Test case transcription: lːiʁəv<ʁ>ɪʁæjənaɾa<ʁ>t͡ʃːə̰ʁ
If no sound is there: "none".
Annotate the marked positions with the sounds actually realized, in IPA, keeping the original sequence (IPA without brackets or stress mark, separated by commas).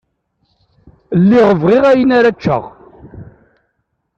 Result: ʁ, none